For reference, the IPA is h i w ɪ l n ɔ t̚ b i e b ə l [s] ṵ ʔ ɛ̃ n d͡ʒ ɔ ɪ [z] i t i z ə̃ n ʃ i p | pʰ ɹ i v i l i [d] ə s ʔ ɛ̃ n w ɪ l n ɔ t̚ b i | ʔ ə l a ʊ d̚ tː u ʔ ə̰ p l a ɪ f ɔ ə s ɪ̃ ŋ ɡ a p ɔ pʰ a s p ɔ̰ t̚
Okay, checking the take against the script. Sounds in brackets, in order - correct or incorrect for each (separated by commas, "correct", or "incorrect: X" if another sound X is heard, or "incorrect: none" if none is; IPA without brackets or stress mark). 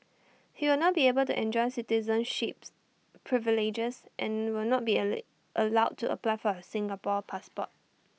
incorrect: t, incorrect: s, incorrect: d͡ʒ